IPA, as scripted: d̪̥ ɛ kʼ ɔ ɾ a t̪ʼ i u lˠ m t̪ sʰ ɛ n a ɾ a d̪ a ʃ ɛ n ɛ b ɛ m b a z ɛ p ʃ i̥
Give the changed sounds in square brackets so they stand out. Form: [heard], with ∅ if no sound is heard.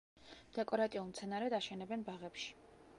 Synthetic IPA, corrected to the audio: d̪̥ ɛ kʼ ɔ ɾ a t̪ʼ i u lˠ m t̪ sʰ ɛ n a ɾ [ɛ] d̪ a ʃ ɛ n ɛ b ɛ [n] b a [ʁ] ɛ p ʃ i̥